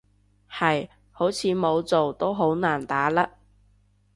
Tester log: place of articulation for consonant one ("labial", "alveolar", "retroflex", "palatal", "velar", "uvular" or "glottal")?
glottal